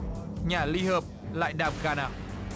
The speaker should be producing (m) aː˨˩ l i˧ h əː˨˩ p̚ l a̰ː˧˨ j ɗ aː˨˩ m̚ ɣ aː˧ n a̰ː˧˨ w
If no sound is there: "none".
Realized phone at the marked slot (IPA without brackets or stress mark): ɲ